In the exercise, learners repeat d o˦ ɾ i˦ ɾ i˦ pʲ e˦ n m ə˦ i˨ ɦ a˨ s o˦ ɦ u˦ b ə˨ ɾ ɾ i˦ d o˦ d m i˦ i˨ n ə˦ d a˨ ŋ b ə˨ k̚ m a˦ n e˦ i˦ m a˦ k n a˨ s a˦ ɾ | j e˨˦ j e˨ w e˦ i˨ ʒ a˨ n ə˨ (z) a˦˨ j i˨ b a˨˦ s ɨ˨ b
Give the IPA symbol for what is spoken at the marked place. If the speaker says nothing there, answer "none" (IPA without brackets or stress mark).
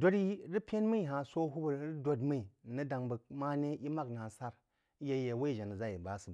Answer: z